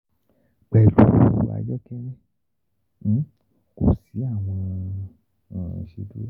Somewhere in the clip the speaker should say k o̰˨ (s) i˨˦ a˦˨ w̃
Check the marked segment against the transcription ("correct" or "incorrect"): correct